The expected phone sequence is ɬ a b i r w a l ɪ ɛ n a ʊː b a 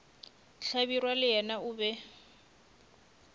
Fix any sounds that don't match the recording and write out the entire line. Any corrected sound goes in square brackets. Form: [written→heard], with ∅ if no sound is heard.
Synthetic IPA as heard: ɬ a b i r w a l ɪ ɛ n a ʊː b [a→ɛ]